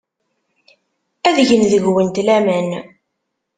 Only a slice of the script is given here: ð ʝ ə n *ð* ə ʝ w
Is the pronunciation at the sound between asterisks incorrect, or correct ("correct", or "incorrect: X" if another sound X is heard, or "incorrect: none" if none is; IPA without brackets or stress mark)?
correct